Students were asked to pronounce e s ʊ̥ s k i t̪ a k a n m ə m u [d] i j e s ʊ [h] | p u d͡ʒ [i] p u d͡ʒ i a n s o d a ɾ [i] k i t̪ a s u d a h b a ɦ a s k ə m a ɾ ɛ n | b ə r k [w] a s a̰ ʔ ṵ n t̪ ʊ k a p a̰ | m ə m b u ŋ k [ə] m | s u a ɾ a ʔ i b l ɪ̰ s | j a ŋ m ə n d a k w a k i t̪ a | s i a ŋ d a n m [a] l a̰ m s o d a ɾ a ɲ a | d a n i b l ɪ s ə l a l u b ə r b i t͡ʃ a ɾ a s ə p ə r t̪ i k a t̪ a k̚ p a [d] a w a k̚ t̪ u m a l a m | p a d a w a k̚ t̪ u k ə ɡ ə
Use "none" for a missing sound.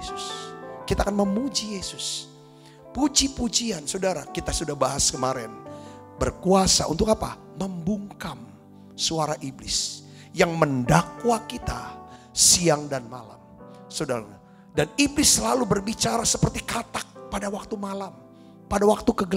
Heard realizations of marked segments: d͡ʒ, s, i, a, u, a, a, d

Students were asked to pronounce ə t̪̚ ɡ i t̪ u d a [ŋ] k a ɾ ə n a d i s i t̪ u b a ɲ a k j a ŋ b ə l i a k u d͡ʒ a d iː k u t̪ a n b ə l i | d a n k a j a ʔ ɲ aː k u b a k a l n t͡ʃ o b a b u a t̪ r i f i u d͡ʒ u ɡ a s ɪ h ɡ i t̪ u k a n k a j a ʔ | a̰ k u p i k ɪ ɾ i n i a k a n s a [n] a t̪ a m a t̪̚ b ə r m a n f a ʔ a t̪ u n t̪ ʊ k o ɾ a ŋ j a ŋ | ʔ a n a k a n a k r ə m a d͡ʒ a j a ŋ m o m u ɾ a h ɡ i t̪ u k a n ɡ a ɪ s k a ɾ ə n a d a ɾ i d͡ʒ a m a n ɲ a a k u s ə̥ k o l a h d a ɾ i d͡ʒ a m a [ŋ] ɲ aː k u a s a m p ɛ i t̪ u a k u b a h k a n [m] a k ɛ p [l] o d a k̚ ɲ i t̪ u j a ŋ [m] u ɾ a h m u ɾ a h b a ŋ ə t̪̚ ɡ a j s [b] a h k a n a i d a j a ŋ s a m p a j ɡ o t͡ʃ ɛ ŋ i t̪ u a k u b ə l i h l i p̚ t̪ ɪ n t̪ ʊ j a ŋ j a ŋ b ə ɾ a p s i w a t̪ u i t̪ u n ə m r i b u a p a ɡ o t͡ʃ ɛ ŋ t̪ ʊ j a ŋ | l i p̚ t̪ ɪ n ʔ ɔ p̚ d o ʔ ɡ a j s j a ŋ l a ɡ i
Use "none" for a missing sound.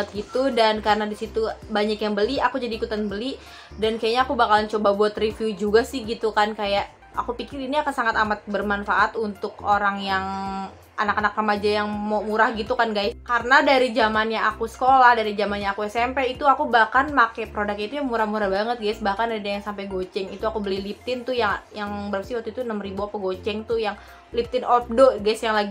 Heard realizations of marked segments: n, ŋ, n, m, ɾ, m, b

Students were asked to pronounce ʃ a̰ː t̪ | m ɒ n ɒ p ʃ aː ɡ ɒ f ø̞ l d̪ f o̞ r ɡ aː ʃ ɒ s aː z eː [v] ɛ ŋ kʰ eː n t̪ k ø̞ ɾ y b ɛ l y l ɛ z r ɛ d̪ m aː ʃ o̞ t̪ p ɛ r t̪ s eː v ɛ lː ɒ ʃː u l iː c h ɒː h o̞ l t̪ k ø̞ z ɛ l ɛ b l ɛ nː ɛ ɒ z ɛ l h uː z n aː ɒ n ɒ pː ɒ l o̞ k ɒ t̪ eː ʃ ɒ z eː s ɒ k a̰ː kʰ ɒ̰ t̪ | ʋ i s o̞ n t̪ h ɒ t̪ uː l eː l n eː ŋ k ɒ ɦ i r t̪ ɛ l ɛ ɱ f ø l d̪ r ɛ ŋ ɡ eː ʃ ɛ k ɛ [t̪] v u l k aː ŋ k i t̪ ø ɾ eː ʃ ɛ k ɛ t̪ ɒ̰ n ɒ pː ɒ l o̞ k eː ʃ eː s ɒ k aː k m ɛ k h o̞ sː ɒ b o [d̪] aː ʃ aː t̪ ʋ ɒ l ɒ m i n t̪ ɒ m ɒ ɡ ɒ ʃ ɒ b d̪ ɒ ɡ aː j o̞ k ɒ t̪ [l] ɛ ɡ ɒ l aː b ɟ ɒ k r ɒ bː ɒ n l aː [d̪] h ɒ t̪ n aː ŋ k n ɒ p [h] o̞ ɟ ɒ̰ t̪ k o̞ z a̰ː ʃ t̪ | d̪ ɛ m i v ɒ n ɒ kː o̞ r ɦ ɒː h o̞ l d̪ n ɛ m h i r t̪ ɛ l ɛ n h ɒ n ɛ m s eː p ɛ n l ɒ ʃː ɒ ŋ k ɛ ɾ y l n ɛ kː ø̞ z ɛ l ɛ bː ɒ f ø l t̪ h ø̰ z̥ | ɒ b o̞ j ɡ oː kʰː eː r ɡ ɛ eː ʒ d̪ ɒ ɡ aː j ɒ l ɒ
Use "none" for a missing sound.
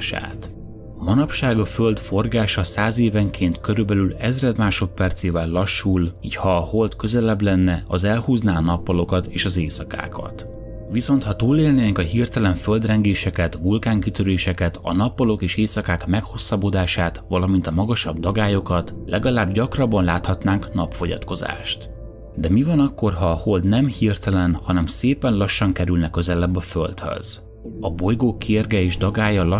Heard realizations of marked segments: v, t̪, d̪, l, t̪, f

